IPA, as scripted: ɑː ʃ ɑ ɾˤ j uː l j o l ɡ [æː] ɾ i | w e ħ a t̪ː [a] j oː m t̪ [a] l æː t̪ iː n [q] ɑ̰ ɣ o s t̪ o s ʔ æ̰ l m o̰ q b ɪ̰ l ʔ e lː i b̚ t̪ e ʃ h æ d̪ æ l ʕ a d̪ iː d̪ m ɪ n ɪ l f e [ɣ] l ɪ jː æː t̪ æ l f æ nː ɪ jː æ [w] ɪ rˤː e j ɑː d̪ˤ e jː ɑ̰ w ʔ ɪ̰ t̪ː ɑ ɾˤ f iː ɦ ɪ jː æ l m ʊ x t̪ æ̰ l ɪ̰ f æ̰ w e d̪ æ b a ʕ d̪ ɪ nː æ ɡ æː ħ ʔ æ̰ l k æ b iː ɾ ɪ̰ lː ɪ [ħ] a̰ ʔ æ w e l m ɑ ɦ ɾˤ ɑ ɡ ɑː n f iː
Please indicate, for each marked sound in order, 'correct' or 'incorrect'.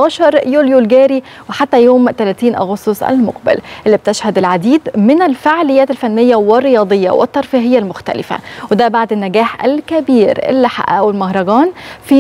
correct, incorrect: æ, incorrect: æ, incorrect: ʔ, incorrect: ʕ, correct, correct

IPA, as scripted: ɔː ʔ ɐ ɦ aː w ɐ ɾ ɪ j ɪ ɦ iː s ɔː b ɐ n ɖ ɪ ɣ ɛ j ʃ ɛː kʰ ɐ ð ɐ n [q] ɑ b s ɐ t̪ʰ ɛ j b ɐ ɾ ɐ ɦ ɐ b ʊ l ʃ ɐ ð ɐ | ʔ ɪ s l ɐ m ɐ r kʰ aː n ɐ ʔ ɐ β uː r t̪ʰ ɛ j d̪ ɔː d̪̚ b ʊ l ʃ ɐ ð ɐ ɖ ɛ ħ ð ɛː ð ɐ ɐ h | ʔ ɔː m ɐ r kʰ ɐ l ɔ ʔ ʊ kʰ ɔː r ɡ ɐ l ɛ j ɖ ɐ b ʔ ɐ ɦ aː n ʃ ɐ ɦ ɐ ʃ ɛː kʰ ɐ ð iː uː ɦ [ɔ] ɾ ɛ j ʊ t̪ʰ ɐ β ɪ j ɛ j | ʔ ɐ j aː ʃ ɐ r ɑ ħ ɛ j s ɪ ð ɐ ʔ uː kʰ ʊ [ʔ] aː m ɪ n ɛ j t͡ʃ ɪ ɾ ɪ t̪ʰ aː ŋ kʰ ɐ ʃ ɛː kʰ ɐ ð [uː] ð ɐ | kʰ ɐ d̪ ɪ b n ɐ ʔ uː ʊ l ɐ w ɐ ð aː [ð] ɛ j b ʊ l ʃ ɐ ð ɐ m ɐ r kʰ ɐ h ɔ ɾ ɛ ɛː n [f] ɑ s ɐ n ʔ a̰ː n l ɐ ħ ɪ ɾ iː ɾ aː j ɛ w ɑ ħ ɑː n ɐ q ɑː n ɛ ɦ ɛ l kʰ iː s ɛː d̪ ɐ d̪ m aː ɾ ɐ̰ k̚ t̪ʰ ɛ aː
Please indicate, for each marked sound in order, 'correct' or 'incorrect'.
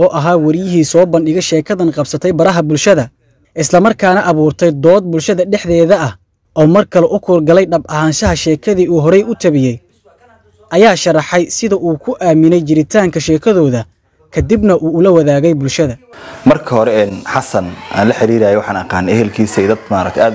correct, correct, correct, incorrect: ɔː, incorrect: ɣ, incorrect: ħ

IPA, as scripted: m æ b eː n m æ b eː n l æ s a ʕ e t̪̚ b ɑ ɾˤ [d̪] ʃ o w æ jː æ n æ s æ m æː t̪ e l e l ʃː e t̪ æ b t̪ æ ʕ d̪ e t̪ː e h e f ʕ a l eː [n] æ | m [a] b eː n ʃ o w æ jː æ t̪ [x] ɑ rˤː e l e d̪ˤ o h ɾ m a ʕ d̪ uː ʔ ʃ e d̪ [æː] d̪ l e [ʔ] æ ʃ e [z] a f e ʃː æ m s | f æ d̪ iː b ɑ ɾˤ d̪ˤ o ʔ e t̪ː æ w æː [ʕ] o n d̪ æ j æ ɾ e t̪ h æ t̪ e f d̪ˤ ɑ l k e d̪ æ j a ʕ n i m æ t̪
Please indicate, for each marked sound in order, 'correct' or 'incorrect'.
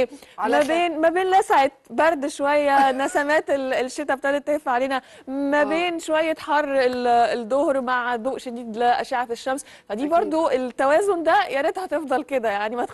correct, correct, incorrect: æ, incorrect: ħ, incorrect: iː, correct, incorrect: ʕ, incorrect: z

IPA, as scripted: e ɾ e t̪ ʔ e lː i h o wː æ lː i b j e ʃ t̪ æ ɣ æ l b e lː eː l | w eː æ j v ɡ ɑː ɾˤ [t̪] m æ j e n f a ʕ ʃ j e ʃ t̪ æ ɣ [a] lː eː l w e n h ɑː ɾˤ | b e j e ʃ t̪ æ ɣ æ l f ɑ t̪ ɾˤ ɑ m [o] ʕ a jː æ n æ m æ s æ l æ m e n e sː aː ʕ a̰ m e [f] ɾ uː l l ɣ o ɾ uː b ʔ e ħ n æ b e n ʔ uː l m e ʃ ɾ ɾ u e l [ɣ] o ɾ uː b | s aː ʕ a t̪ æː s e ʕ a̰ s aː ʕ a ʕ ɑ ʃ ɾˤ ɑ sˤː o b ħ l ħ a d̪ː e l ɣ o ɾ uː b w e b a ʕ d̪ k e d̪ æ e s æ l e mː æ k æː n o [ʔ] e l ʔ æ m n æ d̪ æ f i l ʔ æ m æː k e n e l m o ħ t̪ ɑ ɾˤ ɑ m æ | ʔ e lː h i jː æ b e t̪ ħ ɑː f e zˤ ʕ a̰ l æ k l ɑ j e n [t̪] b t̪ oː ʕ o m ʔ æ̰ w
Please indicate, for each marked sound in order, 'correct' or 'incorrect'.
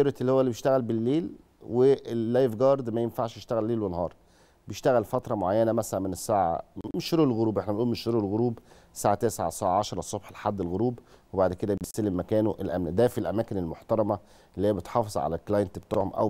incorrect: d̪, incorrect: æ, correct, incorrect: ʃ, correct, correct, correct

